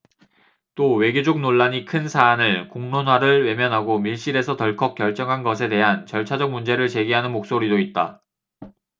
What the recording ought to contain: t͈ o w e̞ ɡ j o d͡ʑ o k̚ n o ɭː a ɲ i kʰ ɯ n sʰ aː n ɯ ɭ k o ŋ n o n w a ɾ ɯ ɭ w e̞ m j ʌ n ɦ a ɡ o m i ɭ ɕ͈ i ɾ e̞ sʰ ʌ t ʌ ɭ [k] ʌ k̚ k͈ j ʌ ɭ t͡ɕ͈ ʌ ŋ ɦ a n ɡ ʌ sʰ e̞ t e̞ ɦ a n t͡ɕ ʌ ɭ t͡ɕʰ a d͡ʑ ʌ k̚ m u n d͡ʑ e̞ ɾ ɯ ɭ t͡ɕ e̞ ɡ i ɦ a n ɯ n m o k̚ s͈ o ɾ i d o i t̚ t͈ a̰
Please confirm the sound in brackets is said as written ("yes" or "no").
no